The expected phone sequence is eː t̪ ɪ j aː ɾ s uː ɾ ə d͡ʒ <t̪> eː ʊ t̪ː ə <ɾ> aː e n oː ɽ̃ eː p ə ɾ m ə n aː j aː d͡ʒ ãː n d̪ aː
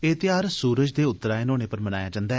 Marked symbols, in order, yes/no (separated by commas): no, yes